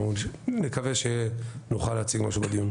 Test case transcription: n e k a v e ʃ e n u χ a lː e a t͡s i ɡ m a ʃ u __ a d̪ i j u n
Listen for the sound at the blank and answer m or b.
b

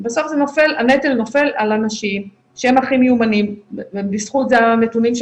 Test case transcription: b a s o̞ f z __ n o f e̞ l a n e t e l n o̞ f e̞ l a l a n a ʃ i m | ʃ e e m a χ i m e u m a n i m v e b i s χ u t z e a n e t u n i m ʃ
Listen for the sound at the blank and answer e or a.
e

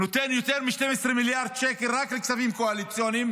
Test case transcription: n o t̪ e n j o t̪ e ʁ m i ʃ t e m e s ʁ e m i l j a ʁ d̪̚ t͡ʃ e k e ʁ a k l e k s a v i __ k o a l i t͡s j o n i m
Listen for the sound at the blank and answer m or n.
m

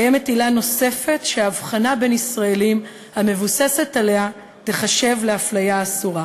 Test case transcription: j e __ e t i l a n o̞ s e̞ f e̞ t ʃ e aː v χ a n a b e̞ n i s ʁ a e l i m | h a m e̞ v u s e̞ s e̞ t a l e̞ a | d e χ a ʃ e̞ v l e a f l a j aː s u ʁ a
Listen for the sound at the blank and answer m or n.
m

